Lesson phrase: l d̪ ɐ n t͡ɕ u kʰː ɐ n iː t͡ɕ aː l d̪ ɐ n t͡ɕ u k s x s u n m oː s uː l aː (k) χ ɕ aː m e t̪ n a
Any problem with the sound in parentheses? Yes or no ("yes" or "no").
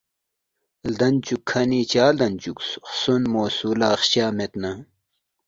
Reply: yes